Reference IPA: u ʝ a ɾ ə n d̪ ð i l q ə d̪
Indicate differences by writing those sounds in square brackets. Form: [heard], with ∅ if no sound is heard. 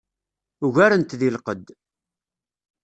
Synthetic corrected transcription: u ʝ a ɾ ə n [t̪] ð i l q ə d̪